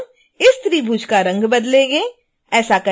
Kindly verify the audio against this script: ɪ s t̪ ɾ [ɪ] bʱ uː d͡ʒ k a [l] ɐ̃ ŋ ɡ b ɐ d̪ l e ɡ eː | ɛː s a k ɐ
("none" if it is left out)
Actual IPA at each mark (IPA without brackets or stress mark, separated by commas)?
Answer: i, ɾ